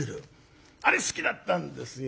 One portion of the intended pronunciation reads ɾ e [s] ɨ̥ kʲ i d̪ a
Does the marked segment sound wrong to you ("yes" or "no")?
no